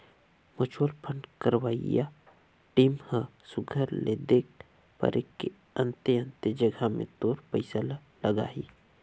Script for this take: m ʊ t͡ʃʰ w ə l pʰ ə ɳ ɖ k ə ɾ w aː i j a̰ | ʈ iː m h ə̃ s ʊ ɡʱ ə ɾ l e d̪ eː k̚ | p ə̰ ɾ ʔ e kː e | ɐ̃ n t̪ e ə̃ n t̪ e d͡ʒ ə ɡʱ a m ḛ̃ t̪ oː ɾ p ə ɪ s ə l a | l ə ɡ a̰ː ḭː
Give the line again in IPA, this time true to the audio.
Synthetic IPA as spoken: m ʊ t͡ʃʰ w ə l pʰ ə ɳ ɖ k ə ɾ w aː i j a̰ | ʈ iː m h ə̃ s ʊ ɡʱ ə ɾ l e d̪ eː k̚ | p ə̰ ɾ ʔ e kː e | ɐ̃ n t̪ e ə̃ n t̪ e d͡ʒ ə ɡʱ a m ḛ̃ t̪ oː ɾ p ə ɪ s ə l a | l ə ɡ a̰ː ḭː